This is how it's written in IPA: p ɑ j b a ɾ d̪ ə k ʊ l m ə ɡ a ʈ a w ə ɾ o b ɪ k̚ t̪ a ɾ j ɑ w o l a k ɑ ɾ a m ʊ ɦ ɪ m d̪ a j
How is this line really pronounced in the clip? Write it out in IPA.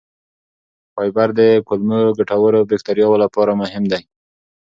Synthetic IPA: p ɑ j b a ɾ d̪ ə k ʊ l m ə ɡ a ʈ a w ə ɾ o b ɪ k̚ t̪ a ɾ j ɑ w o l a p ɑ ɾ a m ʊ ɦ ɪ m d̪ a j